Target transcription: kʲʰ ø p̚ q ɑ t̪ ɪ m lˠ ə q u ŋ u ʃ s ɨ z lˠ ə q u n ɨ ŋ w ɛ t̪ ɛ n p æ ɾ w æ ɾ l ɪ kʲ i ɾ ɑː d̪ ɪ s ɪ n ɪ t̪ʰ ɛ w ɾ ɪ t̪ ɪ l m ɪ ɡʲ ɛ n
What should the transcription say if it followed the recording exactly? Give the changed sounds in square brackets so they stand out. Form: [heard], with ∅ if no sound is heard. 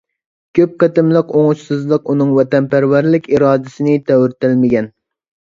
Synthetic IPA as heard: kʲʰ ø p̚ q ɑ t̪ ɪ m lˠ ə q [o] ŋ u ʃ s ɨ z lˠ ə q u n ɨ ŋ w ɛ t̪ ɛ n p æ ɾ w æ ɾ l ɪ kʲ i ɾ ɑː d̪ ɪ s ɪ n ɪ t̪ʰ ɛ w ɾ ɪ t̪ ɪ l m ɪ ɡʲ ɛ n